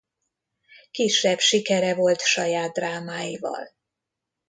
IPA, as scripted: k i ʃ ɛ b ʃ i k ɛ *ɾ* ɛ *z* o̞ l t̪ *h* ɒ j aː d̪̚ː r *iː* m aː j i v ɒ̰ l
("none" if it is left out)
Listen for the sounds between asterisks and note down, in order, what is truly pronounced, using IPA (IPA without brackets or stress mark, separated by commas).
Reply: ɾ, v, ʃ, aː